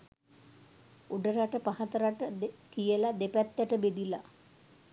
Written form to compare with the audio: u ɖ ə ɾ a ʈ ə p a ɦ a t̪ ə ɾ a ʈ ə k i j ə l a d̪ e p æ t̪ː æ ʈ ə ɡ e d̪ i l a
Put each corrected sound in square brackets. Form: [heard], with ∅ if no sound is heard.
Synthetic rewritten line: u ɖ ə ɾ a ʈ ə p a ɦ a t̪ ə ɾ a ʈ ə k i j ə l a d̪ e p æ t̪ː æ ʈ ə [b] e d̪ i l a

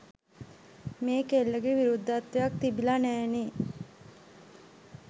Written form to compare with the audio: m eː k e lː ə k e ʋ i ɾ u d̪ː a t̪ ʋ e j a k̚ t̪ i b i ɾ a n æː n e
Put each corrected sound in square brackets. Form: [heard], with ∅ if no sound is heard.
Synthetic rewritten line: m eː k e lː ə [ɡ] e ʋ i ɾ u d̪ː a t̪ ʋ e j a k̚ t̪ i b i [l] a n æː n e

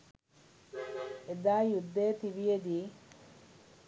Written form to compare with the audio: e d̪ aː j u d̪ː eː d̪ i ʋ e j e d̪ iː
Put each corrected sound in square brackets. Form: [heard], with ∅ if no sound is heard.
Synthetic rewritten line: e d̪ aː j u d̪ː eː [t̪] i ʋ [i] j e d̪ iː

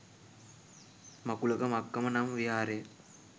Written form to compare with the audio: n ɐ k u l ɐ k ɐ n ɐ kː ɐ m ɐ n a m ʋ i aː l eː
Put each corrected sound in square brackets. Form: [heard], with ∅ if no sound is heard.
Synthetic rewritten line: [m] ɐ k u l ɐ k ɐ [m] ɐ kː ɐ m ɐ n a m ʋ i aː [ɾ] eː

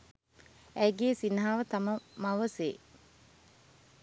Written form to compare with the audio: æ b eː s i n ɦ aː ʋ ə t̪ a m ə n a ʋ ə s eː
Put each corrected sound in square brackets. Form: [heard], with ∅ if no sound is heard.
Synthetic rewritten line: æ [ɡ] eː s i n ɦ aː ʋ ə t̪ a m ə [m] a ʋ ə s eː

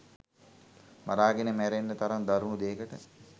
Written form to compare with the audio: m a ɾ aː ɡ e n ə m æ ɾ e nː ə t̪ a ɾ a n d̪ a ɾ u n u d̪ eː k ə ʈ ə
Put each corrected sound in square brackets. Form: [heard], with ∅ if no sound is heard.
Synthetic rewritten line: m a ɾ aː ɡ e n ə m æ ɾ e nː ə t̪ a ɾ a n d̪ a ɾ u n u d̪ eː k ə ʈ ə

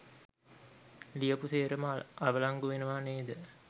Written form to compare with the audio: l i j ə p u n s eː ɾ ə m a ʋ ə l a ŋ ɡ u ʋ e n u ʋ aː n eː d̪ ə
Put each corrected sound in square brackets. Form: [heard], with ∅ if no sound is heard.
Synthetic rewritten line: l i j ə p u [∅] s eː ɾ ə m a ʋ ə l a ŋ ɡ u ʋ e n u ʋ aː n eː d̪ ə

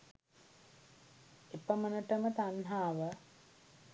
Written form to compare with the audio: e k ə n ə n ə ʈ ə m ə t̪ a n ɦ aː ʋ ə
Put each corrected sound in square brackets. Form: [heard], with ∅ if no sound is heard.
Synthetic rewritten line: e [p] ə [m] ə n ə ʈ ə m ə t̪ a n ɦ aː ʋ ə

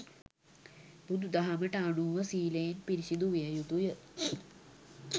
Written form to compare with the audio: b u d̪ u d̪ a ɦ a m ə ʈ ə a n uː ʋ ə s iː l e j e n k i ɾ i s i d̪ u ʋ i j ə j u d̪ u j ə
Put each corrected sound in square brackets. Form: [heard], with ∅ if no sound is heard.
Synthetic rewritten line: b u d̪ u d̪ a ɦ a m ə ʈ ə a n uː ʋ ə s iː l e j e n [p] i ɾ i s i d̪ u ʋ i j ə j u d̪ u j ə

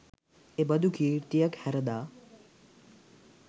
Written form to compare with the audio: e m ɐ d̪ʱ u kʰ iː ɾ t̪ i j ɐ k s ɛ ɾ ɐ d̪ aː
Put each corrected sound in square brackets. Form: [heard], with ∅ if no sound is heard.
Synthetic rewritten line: e [b] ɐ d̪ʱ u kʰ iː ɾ t̪ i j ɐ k [h] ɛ ɾ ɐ d̪ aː

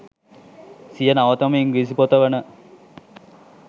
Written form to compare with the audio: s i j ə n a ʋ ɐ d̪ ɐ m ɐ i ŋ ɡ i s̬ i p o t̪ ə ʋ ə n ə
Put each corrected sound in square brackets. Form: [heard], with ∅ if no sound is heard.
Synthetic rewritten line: s i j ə n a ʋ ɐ [t̪] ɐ m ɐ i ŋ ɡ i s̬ i p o t̪ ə ʋ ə n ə

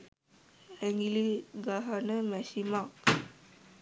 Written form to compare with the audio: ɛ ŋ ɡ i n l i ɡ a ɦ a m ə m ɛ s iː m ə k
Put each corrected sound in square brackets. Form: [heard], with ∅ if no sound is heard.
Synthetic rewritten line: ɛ ŋ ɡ i [∅] l i ɡ a ɦ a [n] ə m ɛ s [i] m [a] k

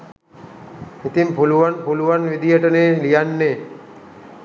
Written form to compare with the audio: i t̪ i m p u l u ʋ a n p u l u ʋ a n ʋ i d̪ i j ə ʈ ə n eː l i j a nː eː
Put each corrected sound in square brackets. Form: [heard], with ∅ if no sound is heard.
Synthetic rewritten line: i t̪ i m p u l u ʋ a n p u l u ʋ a n ʋ i d̪ i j ə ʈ ə n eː l i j a nː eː

